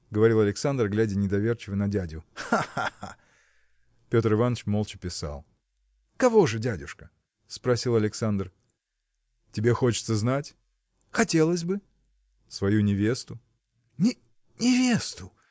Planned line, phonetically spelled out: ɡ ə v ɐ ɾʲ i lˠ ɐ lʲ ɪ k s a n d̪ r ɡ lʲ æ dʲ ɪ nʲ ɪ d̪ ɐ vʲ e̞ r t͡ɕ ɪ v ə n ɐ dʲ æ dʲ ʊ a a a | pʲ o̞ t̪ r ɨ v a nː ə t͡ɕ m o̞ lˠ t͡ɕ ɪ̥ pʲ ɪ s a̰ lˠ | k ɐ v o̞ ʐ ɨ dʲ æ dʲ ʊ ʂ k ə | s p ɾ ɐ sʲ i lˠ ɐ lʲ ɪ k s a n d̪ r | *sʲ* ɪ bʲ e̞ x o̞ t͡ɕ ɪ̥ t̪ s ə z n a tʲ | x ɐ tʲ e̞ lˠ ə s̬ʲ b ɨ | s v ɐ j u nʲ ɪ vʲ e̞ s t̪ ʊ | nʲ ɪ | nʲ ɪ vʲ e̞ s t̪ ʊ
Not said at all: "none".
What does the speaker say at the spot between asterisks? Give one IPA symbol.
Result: tʲ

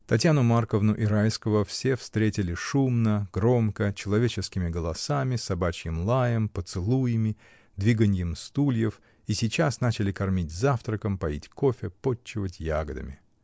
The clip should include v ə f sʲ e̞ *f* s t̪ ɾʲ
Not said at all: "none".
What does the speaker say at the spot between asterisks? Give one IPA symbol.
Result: f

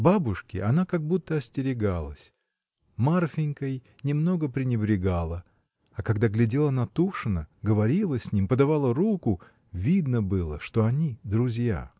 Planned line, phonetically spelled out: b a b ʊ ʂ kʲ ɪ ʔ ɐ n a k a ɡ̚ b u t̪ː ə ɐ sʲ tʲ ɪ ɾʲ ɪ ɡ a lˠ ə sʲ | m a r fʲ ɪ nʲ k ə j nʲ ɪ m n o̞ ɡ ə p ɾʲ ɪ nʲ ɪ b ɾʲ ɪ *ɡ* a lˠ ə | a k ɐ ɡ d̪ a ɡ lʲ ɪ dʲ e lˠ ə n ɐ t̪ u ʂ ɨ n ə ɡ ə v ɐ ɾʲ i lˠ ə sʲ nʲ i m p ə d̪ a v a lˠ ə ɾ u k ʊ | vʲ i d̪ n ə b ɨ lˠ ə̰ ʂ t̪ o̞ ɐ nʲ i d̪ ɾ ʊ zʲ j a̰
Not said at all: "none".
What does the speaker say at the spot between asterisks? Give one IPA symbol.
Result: ɡ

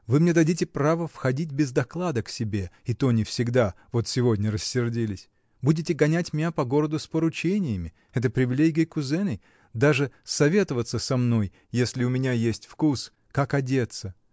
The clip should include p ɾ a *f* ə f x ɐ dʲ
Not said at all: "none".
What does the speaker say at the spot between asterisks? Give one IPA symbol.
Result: v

